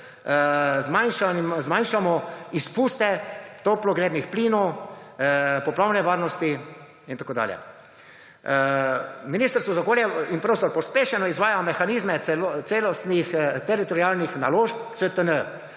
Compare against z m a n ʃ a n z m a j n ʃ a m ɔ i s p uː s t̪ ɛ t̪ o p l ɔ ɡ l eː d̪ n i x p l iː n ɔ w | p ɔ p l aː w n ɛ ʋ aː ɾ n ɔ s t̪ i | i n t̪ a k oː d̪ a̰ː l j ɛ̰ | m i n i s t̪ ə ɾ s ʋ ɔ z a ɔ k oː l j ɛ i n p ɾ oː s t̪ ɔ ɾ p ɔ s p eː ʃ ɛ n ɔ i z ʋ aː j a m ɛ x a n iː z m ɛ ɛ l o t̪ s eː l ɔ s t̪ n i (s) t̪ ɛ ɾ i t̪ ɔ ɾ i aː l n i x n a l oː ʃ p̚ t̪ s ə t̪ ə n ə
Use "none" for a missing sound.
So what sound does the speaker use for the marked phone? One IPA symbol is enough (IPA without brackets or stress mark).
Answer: x